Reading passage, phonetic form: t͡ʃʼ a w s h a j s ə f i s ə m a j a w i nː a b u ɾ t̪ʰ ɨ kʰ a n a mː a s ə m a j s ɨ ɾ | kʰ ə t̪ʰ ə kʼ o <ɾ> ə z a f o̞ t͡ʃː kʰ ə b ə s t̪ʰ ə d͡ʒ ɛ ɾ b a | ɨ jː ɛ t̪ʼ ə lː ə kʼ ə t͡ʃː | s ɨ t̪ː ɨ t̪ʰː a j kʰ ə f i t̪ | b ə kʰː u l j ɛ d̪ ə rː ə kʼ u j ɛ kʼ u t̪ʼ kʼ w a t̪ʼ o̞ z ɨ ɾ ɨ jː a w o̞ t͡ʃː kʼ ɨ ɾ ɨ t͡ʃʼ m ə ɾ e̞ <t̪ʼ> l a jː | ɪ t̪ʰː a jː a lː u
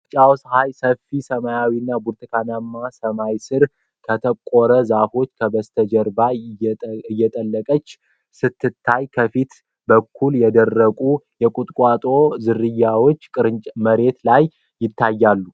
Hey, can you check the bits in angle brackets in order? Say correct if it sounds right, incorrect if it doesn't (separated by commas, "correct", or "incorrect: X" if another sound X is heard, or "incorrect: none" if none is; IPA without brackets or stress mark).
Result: correct, incorrect: t̪